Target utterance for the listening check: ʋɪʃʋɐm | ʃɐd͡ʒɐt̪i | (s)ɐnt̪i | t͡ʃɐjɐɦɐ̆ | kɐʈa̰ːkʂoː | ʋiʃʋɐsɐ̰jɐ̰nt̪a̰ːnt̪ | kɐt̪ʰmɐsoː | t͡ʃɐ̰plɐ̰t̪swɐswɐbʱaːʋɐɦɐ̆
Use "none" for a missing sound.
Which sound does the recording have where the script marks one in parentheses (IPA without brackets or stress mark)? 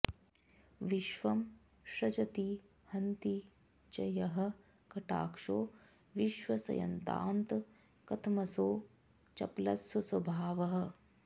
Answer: h